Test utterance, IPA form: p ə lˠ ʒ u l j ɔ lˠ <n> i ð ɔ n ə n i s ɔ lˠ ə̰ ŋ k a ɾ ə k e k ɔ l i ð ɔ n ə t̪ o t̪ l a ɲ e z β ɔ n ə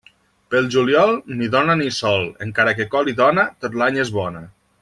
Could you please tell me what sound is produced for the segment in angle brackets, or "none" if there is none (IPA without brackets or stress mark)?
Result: n